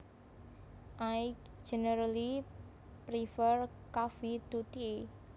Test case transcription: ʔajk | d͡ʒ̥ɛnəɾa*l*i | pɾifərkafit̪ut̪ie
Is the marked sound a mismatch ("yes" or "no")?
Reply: no